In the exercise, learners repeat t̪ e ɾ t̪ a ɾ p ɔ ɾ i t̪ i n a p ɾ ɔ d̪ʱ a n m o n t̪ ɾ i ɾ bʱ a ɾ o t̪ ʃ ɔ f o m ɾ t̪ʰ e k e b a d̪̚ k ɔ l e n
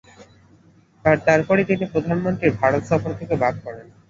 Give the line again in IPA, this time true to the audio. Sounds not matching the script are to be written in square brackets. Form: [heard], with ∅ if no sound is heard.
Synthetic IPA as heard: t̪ [a] ɾ t̪ a ɾ p ɔ ɾ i t̪ i n [i] p ɾ [o] d̪ʱ a n m o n t̪ ɾ i ɾ bʱ a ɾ o t̪ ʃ ɔ f o [∅] ɾ t̪ʰ e k e b a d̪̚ k ɔ [ɾ] e n